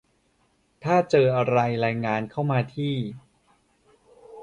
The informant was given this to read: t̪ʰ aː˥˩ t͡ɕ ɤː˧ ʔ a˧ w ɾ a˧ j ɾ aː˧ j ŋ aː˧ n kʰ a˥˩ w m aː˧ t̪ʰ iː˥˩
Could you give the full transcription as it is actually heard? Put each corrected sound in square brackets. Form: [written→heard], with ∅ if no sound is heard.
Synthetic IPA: t̪ʰ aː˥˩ t͡ɕ ɤː˧ ʔ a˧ [w→∅] ɾ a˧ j ɾ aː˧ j ŋ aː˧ n kʰ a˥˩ w m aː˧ t̪ʰ iː˥˩